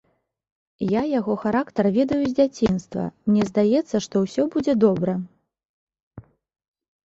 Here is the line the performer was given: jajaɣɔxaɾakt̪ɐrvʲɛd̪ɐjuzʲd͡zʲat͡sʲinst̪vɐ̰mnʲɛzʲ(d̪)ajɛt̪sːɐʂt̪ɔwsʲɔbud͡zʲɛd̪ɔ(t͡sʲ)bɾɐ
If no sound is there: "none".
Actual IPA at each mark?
d̪, none

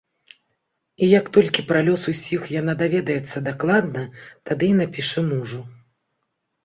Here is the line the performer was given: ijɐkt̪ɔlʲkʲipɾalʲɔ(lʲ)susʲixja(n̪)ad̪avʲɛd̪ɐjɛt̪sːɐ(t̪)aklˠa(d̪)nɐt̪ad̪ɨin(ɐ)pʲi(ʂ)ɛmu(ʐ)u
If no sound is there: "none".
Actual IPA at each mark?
none, n̪, d̪, d̪, a, ʂ, ʐ

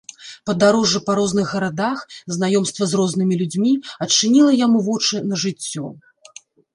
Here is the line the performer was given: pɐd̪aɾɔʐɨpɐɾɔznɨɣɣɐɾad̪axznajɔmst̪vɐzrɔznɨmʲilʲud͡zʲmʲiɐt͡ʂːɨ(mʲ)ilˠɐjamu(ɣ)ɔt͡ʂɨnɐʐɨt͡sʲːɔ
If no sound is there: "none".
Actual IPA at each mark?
nʲ, v

